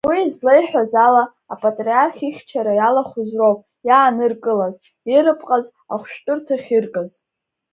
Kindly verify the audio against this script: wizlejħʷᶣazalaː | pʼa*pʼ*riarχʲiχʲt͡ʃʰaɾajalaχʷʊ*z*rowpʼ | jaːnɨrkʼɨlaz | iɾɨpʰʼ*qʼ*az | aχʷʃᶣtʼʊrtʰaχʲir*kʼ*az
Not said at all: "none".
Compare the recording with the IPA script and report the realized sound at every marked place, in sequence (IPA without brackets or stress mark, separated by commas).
tʼ, z, qʼ, kʼ